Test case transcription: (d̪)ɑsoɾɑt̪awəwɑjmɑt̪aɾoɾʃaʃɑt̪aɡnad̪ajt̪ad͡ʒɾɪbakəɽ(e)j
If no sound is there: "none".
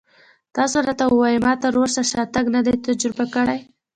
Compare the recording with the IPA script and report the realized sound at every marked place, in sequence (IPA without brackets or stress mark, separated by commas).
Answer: t̪, a